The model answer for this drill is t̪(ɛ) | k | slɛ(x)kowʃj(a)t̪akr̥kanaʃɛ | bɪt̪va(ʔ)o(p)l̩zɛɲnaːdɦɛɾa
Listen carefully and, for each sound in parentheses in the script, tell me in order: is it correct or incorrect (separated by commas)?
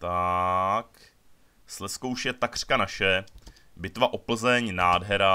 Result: incorrect, incorrect, incorrect, correct, correct